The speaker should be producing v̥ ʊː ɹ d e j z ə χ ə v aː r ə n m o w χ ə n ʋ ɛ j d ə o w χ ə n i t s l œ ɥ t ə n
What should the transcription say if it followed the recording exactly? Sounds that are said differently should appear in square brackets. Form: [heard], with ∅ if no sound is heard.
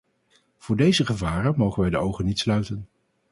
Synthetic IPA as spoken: v̥ ʊː ɹ d e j z ə χ ə v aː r ə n m o w χ ə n ʋ ɛ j d ə o w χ ə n i t s l œ ɥ t ə n